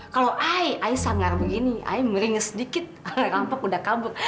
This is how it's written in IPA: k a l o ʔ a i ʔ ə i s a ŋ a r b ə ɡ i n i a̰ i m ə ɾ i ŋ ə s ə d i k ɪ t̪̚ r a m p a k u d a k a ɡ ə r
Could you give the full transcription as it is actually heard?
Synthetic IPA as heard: k a l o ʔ a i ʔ a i s a ŋ a r b ə ɡ i n i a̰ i m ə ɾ i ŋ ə s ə d i k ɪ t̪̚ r a m p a k u d a k a b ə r